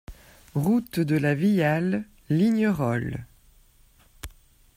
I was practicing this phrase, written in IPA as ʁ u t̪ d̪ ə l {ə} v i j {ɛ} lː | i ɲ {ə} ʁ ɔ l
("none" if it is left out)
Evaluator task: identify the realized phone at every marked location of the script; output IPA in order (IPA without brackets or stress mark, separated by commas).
a, a, ə